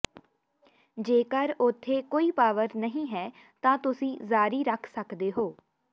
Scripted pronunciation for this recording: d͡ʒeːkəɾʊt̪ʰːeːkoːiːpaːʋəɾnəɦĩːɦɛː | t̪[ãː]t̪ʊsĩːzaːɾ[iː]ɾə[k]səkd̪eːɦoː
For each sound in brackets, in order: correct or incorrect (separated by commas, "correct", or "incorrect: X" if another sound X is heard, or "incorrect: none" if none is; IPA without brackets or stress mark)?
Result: correct, correct, incorrect: kʰ